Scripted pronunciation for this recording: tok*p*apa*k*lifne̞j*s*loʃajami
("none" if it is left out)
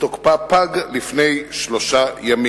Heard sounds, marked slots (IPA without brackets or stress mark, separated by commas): p, ɡ, ʃ